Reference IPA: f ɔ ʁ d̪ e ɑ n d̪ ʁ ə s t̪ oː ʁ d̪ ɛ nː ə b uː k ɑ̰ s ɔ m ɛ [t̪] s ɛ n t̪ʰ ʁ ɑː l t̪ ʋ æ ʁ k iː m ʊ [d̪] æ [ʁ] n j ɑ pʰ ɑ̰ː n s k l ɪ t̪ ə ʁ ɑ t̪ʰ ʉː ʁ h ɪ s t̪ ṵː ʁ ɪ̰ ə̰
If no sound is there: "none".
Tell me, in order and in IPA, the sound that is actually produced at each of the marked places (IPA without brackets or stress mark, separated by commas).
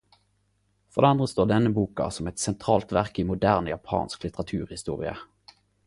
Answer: t̪, d̪, ʁ